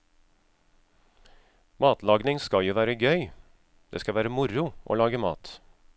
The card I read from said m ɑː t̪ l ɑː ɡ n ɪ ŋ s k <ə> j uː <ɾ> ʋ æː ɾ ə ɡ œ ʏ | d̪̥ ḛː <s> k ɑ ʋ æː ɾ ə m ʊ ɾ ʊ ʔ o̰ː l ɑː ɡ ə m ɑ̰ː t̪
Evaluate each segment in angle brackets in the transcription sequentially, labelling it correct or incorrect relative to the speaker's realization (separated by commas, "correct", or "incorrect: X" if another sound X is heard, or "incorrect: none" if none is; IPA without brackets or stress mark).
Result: incorrect: ɑ, incorrect: none, correct